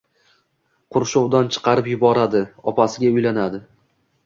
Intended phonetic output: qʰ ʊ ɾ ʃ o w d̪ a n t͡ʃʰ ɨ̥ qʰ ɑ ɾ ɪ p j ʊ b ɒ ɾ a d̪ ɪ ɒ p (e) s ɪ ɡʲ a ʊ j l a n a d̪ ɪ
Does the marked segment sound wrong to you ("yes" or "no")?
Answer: yes